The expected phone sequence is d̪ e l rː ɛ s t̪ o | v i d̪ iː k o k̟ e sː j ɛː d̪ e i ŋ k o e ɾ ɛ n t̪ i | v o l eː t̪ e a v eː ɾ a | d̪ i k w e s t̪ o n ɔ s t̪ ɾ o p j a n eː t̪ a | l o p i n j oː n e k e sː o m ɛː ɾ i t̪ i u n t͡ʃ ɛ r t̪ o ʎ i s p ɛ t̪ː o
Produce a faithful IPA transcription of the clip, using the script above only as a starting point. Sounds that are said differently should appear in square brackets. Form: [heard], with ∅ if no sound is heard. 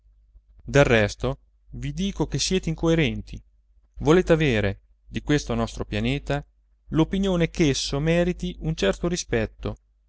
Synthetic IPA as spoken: d̪ e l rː ɛ s t̪ o | v i d̪ iː k o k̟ e sː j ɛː [t̪] e i ŋ k o e ɾ ɛ n t̪ i | v o l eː t̪ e a v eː ɾ [e] | d̪ i k w e s t̪ o n ɔ s t̪ ɾ o p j a n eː t̪ a | l o p i n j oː n e k e sː o m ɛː ɾ i t̪ i u n t͡ʃ ɛ r t̪ o [ɾ] i s p ɛ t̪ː o

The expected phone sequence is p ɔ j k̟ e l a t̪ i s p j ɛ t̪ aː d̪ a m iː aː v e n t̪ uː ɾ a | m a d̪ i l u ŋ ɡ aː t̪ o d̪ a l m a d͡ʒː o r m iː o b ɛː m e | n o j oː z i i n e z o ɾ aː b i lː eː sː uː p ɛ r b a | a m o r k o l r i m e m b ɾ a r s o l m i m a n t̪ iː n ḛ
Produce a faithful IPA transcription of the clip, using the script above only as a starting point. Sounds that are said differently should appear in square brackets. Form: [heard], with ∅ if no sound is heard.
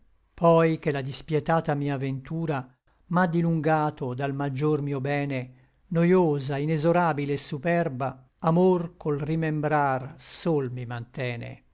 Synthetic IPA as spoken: p ɔ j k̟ e l a [d̪] i s p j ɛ t̪ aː [t̪] a m iː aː v e n t̪ uː ɾ a | m a d̪ i l u ŋ ɡ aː t̪ o d̪ a l m a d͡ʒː o r m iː o b ɛː [n] e | n o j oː z [a] i n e z o ɾ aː b i [l] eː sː [u] p ɛ r b a | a m o r k o l r i m e m b ɾ a r s o l m i m a n t̪ [ɛː] n ḛ

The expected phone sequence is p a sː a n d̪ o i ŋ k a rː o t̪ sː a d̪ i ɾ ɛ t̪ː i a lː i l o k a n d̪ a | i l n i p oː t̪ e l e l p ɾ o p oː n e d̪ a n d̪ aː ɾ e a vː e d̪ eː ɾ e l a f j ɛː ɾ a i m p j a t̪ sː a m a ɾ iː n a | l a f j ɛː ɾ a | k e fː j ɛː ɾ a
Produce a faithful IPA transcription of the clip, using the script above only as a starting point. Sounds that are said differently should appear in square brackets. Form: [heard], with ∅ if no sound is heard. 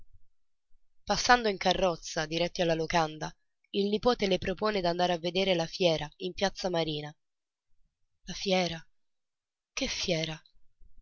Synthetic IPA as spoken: p a sː a n d̪ o i ŋ k a rː [ɔ] t̪ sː a d̪ i ɾ ɛ t̪ː i a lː [a] l o k a n d̪ a | i l n i p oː t̪ e l e [∅] p ɾ o p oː n e d̪ a n d̪ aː ɾ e a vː e d̪ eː ɾ e l a f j ɛː ɾ a i m p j a t̪ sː a m a ɾ iː n a | l a f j ɛː ɾ a | k e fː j ɛː ɾ a

